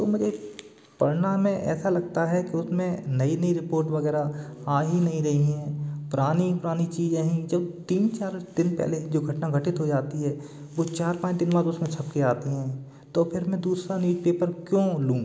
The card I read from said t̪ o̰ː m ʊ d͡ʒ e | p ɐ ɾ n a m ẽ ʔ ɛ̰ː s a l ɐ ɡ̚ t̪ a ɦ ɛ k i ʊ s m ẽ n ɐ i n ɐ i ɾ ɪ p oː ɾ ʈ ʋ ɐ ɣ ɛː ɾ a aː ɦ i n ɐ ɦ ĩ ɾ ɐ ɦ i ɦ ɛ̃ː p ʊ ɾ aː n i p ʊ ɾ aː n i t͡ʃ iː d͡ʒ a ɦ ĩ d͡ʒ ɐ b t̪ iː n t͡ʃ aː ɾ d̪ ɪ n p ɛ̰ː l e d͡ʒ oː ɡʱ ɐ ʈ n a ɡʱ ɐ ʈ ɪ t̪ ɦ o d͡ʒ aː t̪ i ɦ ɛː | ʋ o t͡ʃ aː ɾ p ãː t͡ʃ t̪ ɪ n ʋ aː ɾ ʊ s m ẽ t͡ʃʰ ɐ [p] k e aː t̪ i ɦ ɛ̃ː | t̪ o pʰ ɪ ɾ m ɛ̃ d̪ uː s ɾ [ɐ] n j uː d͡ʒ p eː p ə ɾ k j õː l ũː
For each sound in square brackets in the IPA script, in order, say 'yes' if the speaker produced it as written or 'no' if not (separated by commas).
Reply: yes, no